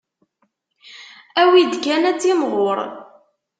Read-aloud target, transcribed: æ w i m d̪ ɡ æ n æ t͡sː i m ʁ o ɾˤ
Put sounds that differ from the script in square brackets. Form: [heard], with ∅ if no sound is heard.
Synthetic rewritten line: æ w i [∅] d̪ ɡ æ n æ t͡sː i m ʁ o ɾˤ